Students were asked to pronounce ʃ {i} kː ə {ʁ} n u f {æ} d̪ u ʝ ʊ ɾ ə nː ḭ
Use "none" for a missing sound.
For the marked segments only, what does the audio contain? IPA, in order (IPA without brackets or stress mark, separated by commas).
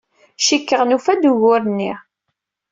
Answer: i, ʁ, æ